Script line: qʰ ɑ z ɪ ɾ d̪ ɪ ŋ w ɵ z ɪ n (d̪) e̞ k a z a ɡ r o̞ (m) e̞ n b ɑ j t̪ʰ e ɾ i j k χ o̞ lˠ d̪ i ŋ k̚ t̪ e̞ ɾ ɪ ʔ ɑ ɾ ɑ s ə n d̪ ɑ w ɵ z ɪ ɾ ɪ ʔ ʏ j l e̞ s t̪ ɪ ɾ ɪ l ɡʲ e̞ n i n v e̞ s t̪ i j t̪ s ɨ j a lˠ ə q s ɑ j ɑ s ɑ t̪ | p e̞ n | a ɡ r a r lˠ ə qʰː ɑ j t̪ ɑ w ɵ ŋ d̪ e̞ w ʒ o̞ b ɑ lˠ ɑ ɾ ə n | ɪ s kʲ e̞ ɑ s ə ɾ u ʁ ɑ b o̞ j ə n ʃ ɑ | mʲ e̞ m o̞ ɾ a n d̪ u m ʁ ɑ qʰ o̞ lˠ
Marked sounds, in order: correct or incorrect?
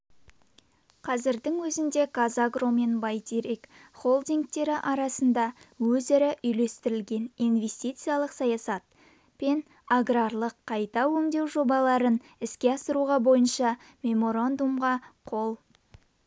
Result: correct, correct

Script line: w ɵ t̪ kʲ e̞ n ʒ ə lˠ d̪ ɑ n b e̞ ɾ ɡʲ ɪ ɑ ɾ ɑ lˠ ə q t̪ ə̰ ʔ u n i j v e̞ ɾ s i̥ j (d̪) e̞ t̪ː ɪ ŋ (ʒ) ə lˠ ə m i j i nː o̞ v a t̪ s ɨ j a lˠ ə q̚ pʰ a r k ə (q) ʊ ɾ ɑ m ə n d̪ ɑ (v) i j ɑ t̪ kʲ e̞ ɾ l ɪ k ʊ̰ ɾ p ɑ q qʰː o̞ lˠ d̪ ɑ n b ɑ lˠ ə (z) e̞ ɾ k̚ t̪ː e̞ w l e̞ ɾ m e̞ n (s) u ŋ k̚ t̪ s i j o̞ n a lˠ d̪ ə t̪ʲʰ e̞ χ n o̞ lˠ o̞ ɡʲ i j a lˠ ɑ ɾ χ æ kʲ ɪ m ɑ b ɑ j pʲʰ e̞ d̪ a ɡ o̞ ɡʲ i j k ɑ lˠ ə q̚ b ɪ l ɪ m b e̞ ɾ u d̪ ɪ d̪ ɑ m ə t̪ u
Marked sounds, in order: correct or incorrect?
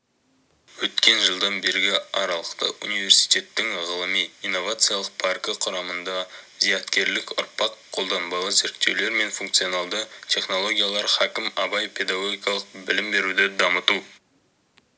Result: incorrect, incorrect, incorrect, incorrect, correct, incorrect

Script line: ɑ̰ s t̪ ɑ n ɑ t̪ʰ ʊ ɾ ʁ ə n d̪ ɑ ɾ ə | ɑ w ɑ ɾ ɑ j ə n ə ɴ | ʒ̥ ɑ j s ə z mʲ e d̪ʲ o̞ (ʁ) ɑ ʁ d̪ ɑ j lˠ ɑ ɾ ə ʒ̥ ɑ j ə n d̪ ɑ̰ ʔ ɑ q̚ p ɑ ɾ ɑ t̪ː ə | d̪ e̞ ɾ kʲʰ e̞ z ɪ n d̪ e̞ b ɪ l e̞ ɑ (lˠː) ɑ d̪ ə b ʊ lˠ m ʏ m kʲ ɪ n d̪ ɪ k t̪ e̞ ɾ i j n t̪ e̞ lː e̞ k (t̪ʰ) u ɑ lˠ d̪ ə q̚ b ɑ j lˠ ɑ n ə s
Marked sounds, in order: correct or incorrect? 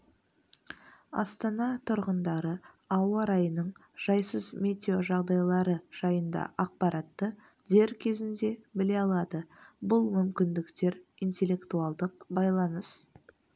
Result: incorrect, incorrect, incorrect

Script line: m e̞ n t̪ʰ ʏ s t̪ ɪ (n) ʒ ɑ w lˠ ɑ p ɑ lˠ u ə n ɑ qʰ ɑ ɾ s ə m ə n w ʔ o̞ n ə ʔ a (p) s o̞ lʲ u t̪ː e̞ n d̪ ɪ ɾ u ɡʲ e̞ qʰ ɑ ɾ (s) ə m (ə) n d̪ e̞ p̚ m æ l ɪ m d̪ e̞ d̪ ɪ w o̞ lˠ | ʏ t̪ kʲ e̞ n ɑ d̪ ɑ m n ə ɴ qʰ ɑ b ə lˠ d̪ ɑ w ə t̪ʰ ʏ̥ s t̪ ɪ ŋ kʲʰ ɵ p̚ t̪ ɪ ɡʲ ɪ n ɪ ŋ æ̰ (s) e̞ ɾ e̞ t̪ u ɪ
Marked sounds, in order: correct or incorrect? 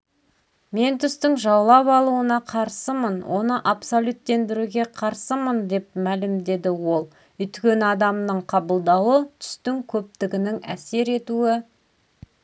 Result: incorrect, correct, correct, correct, correct

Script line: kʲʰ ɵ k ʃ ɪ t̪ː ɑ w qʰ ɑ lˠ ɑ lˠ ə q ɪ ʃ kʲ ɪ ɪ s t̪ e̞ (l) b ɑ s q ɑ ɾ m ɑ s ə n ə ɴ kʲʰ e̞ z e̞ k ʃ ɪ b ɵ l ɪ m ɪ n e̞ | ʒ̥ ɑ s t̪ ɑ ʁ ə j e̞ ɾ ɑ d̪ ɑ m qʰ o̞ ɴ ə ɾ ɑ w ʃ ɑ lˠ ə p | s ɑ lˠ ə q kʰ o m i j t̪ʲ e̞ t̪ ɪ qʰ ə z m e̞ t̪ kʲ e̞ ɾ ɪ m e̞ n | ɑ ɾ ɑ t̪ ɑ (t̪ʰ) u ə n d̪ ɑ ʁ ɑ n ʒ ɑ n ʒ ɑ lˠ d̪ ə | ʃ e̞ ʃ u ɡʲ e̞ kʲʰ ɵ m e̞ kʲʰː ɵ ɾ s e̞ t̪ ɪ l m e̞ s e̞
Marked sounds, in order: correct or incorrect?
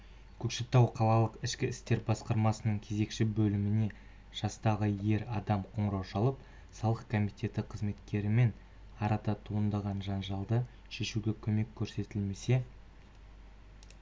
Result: incorrect, correct

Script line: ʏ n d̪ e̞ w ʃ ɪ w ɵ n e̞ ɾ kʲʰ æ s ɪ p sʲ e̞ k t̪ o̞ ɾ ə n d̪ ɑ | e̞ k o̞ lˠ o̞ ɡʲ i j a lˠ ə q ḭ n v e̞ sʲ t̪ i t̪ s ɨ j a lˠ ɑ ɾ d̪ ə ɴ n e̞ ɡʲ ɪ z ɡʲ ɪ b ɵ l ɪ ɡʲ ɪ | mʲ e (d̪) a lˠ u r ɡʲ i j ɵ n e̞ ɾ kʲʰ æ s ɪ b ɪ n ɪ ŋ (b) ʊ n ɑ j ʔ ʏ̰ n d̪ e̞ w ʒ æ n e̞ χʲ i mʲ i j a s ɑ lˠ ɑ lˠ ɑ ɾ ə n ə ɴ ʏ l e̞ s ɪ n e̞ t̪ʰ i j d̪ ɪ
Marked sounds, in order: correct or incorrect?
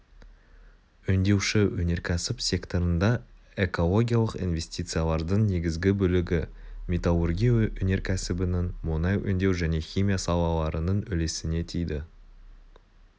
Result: incorrect, incorrect

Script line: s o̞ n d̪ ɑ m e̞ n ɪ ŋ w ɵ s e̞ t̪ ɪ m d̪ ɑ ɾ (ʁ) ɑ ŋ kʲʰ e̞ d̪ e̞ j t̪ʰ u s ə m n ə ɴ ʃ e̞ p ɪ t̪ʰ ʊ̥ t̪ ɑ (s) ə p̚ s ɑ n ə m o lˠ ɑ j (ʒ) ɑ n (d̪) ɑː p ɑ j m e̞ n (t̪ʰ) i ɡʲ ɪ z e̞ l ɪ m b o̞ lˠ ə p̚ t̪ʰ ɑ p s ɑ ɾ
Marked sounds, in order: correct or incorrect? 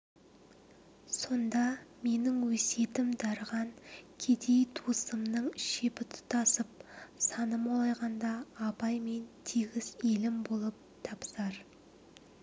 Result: correct, correct, incorrect, correct, correct

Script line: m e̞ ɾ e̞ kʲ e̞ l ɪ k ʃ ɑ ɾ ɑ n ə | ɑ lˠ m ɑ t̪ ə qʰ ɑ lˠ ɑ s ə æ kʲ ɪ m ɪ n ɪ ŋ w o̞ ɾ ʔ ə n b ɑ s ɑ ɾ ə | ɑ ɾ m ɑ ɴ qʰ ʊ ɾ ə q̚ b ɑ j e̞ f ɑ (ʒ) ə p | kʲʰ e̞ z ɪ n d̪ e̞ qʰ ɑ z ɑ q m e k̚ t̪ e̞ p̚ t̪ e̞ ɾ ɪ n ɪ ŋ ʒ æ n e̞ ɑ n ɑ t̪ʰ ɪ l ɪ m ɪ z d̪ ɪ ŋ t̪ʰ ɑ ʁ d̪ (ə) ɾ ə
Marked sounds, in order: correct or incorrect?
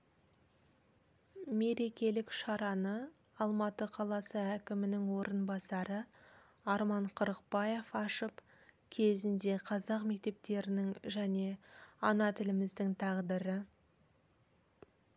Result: incorrect, correct

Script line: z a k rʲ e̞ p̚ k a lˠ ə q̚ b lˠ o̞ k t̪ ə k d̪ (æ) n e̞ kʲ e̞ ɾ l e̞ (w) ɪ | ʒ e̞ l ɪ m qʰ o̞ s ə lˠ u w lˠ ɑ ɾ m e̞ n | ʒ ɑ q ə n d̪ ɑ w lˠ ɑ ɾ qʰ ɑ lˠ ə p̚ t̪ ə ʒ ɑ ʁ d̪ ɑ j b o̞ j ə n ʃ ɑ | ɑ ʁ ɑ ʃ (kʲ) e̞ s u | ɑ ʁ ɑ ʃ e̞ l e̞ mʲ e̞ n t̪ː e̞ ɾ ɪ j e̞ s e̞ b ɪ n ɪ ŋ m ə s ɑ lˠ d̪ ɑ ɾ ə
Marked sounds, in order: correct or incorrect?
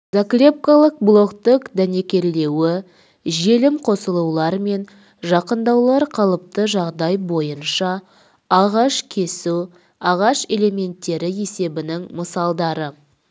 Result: correct, correct, incorrect

